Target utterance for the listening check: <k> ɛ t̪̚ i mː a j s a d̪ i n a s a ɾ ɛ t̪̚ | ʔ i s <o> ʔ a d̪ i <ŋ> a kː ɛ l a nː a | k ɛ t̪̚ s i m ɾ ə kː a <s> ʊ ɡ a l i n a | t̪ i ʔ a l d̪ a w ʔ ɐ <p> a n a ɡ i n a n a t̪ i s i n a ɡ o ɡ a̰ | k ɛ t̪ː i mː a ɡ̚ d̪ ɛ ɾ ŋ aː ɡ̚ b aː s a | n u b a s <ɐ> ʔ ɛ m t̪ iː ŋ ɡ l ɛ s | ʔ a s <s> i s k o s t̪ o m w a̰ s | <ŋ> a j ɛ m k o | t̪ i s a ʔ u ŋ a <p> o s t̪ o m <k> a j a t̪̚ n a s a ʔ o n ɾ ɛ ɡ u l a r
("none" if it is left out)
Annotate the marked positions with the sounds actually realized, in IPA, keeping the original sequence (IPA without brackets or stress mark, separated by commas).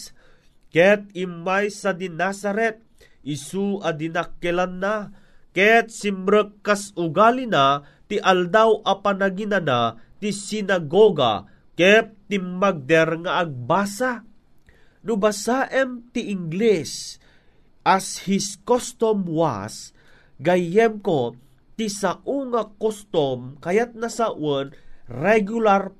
k, u, n, s, p, a, h, ɡ, k, k